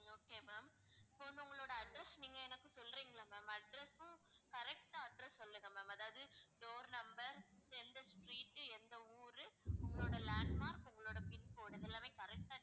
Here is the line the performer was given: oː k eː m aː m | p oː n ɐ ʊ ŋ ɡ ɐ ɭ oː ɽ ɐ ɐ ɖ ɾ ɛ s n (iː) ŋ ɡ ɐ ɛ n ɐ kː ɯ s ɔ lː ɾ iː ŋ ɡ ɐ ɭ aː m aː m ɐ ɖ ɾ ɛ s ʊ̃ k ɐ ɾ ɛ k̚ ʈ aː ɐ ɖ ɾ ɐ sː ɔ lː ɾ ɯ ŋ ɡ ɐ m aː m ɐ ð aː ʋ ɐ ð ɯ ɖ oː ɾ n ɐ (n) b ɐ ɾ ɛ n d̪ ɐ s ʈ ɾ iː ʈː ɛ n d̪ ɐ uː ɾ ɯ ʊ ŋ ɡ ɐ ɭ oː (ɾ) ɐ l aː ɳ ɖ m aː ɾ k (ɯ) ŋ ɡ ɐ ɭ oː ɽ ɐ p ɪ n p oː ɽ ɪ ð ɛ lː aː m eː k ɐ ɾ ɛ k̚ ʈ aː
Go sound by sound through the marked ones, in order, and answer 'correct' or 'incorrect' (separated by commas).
correct, incorrect, incorrect, incorrect